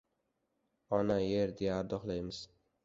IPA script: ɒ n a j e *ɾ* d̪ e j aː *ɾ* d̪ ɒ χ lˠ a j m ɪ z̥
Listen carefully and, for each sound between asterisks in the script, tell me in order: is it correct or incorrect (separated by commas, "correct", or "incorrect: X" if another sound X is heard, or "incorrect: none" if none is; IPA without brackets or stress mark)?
correct, correct